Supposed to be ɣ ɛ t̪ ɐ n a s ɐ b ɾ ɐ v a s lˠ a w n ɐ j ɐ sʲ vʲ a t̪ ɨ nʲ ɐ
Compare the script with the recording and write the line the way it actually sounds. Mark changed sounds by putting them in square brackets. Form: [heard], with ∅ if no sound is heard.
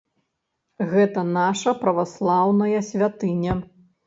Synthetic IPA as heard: ɣ ɛ t̪ ɐ n a [ʂ] ɐ [p] ɾ ɐ v a s lˠ a w n ɐ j ɐ sʲ vʲ a t̪ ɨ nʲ ɐ